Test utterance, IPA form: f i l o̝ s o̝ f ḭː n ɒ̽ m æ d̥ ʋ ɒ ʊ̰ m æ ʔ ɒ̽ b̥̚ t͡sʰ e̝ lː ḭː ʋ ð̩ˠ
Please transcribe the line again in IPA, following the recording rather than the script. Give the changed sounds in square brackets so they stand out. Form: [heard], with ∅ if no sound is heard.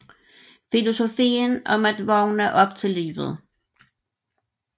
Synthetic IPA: f i l o̝ s o̝ f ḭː n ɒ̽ m æ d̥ ʋ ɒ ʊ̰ [n] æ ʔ ɒ̽ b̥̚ t͡sʰ e̝ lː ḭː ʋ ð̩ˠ